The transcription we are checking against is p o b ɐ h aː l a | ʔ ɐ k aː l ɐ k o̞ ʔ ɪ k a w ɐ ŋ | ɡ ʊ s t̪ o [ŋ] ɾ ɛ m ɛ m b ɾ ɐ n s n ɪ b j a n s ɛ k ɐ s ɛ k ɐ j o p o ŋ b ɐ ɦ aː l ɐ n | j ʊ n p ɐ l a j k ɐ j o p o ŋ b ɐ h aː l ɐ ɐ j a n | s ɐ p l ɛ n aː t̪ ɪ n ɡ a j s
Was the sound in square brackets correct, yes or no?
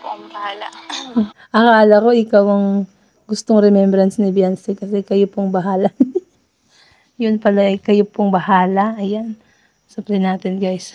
yes